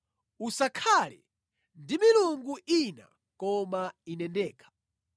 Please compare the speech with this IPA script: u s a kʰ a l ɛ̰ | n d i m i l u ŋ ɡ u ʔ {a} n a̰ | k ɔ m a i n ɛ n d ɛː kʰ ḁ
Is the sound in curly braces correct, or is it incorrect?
incorrect